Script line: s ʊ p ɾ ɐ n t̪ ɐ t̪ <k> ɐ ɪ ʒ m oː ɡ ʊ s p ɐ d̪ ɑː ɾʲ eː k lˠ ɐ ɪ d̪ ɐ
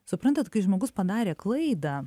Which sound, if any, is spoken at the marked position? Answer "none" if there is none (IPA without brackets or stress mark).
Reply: k